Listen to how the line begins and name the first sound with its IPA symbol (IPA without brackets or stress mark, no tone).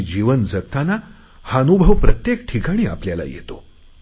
d͡ʑ